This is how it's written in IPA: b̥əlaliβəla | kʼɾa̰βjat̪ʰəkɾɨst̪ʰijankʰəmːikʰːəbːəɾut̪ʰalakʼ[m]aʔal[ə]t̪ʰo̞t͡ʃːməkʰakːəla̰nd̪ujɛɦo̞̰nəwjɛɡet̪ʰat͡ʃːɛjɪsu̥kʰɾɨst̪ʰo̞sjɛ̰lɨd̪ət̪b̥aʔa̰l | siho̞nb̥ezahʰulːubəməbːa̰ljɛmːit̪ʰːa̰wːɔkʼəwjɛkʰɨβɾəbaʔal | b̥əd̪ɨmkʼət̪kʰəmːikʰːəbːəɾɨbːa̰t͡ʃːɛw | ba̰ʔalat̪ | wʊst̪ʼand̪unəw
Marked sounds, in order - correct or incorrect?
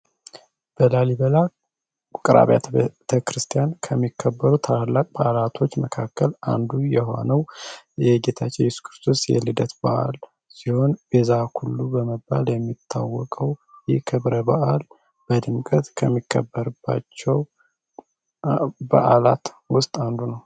incorrect, incorrect

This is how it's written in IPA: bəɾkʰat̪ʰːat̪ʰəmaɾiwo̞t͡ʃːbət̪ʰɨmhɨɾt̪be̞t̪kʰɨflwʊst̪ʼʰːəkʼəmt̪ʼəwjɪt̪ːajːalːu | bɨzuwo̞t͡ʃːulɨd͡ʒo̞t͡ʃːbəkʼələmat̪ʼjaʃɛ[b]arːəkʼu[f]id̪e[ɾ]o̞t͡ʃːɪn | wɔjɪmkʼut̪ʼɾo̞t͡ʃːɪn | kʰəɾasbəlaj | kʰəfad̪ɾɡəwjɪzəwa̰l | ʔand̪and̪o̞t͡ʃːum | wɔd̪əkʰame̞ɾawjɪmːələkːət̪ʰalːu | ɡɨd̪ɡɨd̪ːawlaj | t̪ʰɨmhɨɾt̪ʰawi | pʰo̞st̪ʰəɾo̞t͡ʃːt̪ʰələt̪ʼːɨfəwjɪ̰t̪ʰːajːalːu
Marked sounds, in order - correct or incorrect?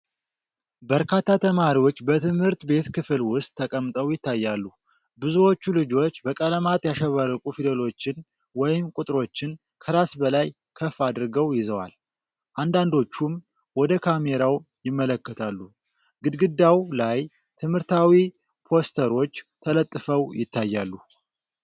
incorrect, correct, incorrect

